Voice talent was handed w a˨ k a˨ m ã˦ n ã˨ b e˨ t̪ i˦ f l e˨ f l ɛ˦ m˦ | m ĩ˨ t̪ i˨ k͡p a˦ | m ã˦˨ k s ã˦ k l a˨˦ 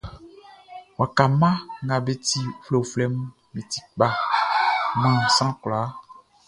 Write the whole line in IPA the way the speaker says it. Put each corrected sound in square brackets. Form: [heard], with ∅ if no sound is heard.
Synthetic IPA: w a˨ k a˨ m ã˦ [ŋ] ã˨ b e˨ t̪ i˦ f l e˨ f l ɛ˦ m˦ | m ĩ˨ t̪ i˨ k͡p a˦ | m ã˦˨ [∅] s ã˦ k l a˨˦